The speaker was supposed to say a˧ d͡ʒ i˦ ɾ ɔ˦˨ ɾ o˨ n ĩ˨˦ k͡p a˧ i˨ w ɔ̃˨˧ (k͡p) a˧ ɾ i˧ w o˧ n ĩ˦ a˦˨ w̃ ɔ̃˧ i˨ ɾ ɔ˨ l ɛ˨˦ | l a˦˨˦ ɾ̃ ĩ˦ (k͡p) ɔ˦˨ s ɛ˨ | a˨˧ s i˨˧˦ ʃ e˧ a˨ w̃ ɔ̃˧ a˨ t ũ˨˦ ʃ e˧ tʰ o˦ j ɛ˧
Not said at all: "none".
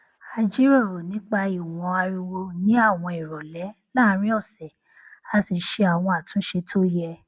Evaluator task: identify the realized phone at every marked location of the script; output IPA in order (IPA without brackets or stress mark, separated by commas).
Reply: none, none